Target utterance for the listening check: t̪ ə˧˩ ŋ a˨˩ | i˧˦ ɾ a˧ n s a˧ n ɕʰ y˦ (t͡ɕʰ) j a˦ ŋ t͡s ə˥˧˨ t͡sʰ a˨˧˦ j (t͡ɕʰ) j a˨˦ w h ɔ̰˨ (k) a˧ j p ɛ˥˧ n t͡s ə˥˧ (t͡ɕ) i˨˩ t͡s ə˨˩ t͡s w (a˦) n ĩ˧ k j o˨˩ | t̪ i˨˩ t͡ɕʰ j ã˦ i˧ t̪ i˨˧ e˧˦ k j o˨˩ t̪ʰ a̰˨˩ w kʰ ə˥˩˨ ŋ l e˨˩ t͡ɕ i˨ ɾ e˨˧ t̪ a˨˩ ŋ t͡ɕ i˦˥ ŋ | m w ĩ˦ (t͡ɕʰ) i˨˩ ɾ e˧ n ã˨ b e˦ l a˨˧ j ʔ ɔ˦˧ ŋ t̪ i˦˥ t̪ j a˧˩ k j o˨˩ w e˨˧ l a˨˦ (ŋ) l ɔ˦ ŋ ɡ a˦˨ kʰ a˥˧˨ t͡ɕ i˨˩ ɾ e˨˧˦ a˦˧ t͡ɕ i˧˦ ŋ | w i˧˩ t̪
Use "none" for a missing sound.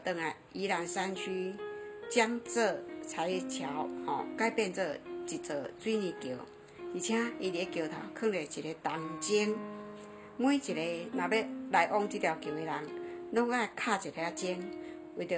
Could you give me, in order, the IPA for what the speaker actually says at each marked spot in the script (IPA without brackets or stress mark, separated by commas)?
t͡ɕ, t͡ɕʰ, k, t͡ɕ, i˦, t͡ɕ, ŋ